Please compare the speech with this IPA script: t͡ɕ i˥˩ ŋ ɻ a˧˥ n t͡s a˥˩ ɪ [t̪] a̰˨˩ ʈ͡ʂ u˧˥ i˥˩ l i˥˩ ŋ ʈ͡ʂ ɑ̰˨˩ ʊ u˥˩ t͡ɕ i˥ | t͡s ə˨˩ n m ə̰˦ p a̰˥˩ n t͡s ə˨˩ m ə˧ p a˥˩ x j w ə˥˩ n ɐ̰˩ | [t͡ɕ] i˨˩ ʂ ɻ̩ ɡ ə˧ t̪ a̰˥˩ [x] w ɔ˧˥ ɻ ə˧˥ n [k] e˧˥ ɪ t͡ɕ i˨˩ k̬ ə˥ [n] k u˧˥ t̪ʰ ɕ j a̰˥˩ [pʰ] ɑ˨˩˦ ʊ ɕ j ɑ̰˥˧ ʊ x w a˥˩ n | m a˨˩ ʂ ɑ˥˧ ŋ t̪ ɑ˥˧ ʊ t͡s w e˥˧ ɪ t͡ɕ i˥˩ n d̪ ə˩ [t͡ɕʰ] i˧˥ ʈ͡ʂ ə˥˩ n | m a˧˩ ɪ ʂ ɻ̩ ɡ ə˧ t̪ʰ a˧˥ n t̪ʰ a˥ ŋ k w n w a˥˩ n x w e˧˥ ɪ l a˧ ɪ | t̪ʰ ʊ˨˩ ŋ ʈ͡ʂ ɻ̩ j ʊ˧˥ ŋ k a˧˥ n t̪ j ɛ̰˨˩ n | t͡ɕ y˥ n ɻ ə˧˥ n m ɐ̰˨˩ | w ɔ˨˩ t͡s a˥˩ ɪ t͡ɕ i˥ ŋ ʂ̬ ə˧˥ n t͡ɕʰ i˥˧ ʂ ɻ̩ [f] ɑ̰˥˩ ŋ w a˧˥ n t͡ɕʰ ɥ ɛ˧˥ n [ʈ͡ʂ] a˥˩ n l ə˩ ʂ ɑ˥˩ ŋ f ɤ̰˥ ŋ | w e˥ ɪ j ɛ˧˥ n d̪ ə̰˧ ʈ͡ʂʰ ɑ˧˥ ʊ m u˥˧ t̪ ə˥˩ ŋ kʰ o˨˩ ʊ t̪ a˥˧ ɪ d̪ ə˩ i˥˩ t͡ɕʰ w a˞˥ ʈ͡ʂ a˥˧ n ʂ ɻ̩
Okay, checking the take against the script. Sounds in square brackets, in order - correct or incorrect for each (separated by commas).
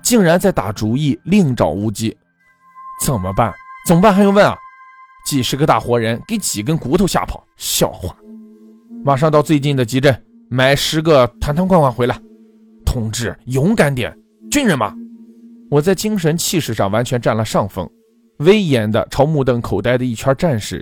correct, correct, correct, correct, correct, correct, incorrect, incorrect, correct